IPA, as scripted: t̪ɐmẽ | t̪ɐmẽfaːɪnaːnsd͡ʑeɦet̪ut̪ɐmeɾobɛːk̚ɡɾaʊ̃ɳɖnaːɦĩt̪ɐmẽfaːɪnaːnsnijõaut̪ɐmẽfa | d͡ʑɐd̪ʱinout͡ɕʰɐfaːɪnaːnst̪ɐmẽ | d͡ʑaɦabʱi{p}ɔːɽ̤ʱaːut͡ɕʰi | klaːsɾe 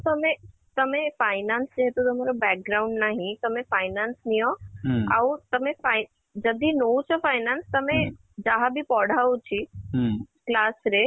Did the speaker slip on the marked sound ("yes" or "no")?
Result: no